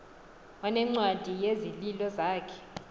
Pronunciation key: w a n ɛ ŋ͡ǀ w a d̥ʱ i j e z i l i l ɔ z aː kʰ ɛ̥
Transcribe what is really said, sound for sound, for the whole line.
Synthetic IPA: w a n ɛ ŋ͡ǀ w a d̥ʱ i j e z i l i l ɔ z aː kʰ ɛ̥